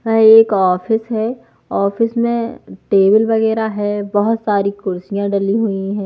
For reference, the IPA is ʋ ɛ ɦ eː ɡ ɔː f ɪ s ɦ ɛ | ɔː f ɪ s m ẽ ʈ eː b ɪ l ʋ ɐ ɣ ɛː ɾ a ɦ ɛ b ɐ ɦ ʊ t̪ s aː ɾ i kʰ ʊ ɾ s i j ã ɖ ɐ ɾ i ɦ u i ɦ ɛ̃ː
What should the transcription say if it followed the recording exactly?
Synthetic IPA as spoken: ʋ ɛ ɦ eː k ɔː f ɪ s ɦ ɛ | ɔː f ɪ s m ẽ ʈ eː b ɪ l ʋ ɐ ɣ ɛː ɾ a ɦ ɛ b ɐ ɦ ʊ t̪ s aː ɾ i k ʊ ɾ s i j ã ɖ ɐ l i ɦ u i ɦ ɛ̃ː